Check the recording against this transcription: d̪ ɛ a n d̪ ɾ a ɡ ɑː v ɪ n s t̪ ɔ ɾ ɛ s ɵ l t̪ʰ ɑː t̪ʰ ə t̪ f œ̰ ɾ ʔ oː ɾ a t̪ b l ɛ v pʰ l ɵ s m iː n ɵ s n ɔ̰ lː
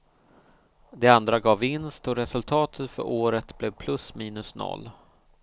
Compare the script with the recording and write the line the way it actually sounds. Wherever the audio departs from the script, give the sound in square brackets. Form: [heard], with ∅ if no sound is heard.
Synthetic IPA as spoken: d̪ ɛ a n d̪ ɾ a ɡ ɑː v ɪ n s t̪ ɔ ɾ ɛ s ɵ l t̪ʰ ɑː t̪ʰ ə t̪ f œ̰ ɾ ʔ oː ɾ [ə] t̪ b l ɛ v pʰ l ɵ s m iː n ɵ s n ɔ̰ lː